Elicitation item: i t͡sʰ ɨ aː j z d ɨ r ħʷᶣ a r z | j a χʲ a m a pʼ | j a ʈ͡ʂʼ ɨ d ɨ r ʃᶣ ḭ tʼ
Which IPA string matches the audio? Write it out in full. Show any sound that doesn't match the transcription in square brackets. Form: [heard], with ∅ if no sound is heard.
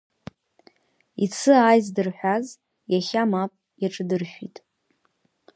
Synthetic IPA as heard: i t͡sʰ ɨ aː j z d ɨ r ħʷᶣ a [∅] z | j a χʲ a m a pʼ | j a ʈ͡ʂʼ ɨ d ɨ r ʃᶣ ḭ tʼ